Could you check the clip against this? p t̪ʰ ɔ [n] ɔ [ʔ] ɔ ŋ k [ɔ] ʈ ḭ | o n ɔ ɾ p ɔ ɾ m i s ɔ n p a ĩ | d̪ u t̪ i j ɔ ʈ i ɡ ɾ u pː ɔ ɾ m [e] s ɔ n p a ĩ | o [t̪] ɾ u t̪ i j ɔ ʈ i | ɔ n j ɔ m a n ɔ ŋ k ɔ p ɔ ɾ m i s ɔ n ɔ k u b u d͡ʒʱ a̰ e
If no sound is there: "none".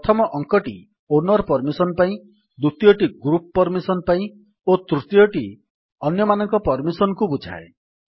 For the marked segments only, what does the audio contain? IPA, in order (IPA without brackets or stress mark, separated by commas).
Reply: m, ʔ, ɔ, i, t̪